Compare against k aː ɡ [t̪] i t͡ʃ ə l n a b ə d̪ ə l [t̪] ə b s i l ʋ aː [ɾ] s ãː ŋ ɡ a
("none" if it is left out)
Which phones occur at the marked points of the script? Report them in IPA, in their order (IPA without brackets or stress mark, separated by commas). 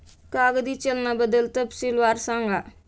d̪, t̪, ɾ